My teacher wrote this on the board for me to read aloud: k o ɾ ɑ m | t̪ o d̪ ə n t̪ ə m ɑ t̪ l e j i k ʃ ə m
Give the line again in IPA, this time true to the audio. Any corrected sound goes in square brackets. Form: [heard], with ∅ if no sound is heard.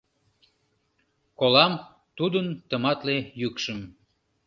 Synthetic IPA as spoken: k o [l] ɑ m | t̪ [u] d̪ ə n t̪ ə m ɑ t̪ l e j [y] k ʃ ə m